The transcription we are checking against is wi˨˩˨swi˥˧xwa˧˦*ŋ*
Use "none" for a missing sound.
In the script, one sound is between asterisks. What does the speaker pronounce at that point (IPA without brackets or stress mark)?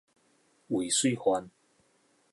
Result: n